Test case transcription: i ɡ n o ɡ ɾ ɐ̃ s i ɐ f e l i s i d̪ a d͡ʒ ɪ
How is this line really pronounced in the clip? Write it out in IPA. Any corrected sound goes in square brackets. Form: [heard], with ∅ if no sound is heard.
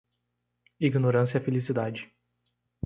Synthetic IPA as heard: i ɡ n o [∅] ɾ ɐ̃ s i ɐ f e l i s i d̪ a d͡ʒ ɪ